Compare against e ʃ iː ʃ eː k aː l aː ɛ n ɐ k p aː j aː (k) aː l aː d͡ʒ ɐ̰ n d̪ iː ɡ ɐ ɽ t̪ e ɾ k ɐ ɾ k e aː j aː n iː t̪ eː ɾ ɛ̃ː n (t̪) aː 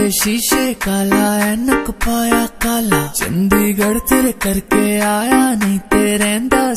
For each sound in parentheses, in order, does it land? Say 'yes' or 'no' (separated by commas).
yes, no